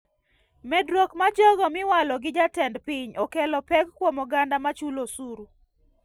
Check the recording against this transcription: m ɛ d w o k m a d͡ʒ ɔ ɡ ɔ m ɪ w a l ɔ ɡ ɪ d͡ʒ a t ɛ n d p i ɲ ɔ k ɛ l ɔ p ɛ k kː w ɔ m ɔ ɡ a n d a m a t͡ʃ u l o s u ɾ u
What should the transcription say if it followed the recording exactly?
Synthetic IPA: m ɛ d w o k m a d͡ʒ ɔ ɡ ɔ m ɪ w a l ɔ ɡ ɪ d͡ʒ a t ɛ n d p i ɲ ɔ k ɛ l ɔ p ɛ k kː w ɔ m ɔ ɡ a n d a m a t͡ʃ u l o s u ɾ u